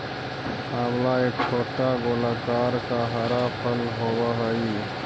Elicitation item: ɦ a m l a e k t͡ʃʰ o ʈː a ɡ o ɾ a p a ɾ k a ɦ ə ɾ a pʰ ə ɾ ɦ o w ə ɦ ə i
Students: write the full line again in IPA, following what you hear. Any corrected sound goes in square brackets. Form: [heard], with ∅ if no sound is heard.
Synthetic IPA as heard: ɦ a m l a e k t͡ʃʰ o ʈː a ɡ o [l] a [k] a ɾ k a ɦ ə ɾ a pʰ ə [l] ɦ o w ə ɦ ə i

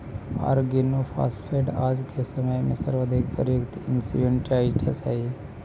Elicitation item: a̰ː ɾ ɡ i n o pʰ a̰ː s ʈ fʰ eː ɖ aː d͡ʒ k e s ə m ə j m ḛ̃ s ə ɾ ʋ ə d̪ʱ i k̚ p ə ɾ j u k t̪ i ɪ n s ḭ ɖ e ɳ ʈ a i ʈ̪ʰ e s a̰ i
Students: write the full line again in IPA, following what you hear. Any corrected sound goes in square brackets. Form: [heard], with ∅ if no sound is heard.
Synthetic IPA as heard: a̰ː ɾ ɡ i n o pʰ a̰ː s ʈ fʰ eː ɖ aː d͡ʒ k e s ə m ə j m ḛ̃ s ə ɾ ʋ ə d̪ʱ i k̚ p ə ɾ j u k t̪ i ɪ n s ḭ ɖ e ɳ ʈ a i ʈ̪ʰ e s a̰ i

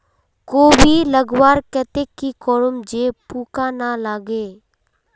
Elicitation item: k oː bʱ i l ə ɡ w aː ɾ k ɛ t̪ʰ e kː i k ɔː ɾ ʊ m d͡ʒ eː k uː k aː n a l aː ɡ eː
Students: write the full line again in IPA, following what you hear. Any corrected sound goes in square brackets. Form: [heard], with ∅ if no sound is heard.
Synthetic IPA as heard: k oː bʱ i l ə ɡ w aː ɾ k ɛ [t̪] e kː i k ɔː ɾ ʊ m d͡ʒ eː [p] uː k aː n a l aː ɡ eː

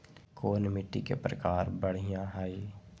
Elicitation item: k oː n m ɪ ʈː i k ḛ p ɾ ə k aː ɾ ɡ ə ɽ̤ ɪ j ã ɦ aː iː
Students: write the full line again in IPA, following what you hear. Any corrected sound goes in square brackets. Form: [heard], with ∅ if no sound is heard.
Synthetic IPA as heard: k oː n m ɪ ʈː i k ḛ p ɾ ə k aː ɾ [b] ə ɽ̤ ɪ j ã ɦ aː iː

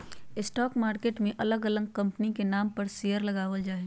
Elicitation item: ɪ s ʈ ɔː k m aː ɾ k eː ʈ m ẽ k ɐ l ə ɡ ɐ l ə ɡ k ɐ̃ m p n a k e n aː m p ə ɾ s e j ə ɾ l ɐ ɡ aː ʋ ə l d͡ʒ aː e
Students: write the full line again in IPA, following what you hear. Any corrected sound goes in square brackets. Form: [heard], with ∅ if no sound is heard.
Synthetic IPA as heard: ɪ s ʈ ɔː k m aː ɾ k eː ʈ m ẽ [ʔ] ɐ l ə ɡ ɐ l ə ɡ k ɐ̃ m p n [i] k e n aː m p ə ɾ s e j ə ɾ l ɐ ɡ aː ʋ ə l d͡ʒ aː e

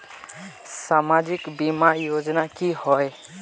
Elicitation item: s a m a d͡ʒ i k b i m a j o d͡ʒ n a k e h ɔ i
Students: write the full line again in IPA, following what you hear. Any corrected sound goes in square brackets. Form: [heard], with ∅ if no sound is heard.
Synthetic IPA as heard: s a m a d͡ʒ i k b i m a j o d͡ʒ n a k [i] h ɔ [j]

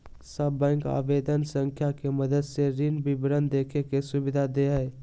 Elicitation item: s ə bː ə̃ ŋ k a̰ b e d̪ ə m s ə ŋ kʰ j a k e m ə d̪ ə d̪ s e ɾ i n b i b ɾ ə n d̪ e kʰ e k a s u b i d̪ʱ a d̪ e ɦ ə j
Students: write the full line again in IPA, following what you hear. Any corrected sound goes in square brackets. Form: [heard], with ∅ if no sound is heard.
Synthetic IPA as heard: s ə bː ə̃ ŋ k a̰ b e d̪ ə [n] s ə ŋ kʰ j a k e m ə d̪ ə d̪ s e ɾ i n b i b ɾ ə n d̪ e kʰ e k [e] s u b i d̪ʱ a d̪ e ɦ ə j

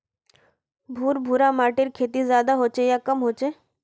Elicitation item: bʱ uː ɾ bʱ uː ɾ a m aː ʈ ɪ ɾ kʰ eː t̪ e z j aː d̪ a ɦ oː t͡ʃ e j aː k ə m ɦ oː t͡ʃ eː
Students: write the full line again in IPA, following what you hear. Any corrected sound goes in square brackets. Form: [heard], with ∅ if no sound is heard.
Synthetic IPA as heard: bʱ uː ɾ bʱ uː ɾ a m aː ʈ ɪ ɾ kʰ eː t̪ [i] z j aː d̪ a ɦ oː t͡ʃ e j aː k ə m ɦ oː t͡ʃ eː

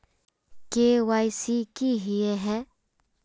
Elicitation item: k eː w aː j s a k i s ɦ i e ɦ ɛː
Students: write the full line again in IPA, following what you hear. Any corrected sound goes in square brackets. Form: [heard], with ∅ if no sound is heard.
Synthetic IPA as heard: k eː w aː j s [i] k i [∅] ɦ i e ɦ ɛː

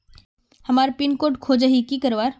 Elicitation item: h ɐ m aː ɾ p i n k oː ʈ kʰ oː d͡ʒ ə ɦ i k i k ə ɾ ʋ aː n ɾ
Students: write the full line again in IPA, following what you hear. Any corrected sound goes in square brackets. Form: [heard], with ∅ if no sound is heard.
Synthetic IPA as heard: h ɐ m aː ɾ p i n k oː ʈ kʰ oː d͡ʒ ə ɦ i k i k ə ɾ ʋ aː [∅] ɾ

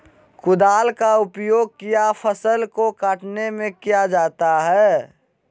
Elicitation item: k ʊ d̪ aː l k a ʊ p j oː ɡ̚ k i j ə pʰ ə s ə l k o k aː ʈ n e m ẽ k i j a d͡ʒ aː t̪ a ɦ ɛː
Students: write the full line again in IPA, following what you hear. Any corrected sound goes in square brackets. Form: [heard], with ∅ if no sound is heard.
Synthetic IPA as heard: k ʊ d̪ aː l k a ʊ p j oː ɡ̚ k i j [a] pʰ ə s ə l k o k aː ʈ n e m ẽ k i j a d͡ʒ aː t̪ a ɦ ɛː

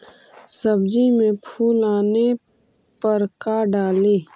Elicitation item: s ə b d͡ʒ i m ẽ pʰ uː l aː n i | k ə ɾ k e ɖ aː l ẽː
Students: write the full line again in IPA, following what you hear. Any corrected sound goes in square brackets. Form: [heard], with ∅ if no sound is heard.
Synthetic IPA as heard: s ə b d͡ʒ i m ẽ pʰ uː l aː n [e] | [p] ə ɾ k [a] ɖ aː l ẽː

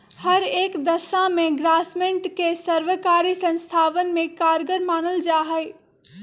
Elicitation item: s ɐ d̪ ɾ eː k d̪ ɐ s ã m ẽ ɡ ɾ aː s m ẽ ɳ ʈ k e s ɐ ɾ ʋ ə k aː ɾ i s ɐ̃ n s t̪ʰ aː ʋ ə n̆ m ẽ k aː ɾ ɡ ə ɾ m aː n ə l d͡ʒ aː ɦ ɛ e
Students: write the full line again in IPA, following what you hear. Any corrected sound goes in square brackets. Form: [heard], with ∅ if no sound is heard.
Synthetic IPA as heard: [h] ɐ [∅] ɾ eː k d̪ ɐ s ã m ẽ ɡ ɾ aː s m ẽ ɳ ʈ k e s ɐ ɾ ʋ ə k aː ɾ i s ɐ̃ n s t̪ʰ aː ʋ ə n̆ m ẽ k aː ɾ ɡ ə ɾ m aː n ə l d͡ʒ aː ɦ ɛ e

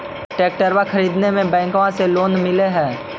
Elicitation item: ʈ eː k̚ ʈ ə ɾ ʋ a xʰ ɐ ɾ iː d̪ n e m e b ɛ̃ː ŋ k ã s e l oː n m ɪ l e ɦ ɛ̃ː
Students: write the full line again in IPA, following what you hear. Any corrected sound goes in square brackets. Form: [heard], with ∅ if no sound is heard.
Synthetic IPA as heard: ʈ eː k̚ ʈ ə ɾ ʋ a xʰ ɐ ɾ iː d̪ n e m [ẽ] b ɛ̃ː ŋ k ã s e l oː n m ɪ l e ɦ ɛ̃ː

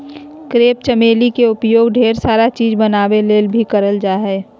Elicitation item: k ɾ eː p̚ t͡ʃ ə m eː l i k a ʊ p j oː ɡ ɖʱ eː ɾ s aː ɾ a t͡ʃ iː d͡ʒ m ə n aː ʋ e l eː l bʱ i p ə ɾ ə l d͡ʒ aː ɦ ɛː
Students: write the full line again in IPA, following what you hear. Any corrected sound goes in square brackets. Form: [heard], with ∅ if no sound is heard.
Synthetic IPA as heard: k ɾ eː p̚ t͡ʃ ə m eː l i k [e] ʊ p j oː ɡ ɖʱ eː ɾ s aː ɾ a t͡ʃ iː d͡ʒ [b] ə n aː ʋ e l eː l bʱ i [k] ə ɾ ə l d͡ʒ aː ɦ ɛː

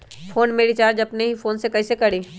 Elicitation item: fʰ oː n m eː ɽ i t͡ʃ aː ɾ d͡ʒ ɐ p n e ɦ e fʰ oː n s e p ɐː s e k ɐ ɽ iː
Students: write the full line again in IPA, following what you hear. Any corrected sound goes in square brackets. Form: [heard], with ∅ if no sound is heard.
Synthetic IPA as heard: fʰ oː n m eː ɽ i t͡ʃ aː ɾ d͡ʒ ɐ p n e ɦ [i] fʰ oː n s e [k] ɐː s e k ɐ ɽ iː

